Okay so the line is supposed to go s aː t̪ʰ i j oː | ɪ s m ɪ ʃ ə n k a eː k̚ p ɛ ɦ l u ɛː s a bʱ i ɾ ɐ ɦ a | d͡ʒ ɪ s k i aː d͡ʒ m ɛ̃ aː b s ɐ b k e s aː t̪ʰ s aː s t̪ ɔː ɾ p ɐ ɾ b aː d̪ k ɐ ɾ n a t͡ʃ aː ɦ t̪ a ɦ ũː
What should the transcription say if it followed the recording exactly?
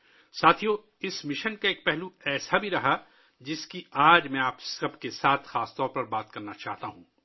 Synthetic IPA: s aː t̪ʰ i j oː | ɪ s m ɪ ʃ ə n k a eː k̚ p ɛ ɦ l u ɛː s a bʱ i ɾ ɐ ɦ a | d͡ʒ ɪ s k i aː d͡ʒ m ɛ̃ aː p s ɐ b k e s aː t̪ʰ x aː s t̪ ɔː ɾ p ɐ ɾ b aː t̪ k ɐ ɾ n a t͡ʃ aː ɦ t̪ a ɦ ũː